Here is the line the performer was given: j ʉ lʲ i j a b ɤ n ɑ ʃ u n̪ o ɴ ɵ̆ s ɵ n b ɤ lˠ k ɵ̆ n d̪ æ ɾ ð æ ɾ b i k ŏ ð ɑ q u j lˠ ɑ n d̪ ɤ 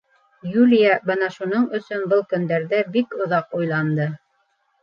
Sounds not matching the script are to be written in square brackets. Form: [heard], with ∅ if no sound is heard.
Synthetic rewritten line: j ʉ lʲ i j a b ɤ n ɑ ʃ u n̪ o ɴ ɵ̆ s ɵ n b ɤ lˠ k ɵ̆ n d̪ æ ɾ ð æ [∅] b i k ŏ ð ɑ q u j lˠ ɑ n d̪ ɤ